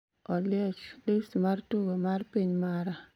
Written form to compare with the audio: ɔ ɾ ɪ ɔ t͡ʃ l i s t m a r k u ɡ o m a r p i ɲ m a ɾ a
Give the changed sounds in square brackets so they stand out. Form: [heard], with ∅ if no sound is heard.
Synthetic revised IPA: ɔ [l] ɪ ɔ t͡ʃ l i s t m a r [t] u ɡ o m a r p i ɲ m a ɾ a